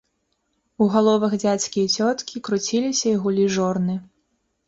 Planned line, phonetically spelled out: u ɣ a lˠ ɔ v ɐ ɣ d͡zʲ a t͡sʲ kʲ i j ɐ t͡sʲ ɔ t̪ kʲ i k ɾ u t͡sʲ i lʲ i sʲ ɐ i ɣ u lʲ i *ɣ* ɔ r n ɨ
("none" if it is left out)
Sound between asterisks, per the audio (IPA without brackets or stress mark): ʐ